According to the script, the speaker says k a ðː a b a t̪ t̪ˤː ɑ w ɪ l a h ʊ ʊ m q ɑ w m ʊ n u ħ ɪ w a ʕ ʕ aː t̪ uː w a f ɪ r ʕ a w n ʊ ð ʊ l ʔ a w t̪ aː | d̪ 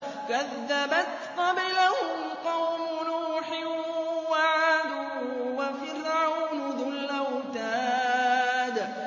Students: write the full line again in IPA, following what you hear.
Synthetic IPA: k a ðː a b a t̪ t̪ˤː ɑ b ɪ l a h ʊ ʊ m q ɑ w m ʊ n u ħ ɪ w a ʕ ʕ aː d̪ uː w a f ɪ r ʕ a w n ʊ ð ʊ l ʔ a w t̪ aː | d̪